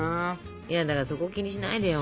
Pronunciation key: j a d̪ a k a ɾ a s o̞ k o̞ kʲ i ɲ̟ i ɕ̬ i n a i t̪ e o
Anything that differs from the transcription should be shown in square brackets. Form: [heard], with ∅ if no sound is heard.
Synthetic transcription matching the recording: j a d̪ a k a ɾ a s o̞ k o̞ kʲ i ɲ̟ i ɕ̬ i n a i [d̪] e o